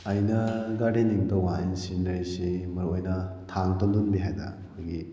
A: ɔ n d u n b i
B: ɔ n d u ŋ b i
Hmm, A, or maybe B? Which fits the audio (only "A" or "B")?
A